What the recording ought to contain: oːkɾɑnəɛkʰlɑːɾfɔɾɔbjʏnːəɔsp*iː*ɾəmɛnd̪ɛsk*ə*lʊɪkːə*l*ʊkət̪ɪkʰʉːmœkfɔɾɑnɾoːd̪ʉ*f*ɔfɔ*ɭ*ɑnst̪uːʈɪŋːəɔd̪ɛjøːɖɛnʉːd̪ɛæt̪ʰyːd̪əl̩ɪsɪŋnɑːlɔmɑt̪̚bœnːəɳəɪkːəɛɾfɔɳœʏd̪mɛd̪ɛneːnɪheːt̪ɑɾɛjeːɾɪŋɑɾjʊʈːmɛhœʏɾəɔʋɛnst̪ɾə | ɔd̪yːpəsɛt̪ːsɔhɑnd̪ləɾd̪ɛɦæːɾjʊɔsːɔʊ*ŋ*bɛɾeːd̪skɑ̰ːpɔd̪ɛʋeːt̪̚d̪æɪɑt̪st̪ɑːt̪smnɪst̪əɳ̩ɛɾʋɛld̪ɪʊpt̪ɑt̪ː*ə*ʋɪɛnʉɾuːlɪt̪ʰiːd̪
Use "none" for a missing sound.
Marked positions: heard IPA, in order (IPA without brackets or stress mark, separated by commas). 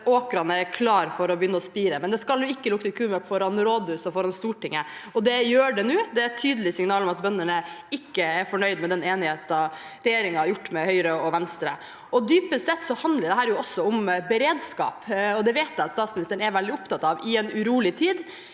iː, ɑ, l, s, ɾ, m, ɑ